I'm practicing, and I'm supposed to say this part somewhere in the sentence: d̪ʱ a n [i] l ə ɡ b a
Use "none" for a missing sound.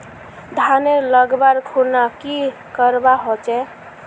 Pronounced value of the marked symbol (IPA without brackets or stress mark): e